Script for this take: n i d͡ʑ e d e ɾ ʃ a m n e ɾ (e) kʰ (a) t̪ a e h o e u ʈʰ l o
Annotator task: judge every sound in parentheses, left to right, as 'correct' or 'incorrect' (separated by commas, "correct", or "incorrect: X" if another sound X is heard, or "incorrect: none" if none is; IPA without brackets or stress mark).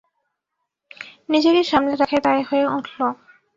incorrect: a, incorrect: e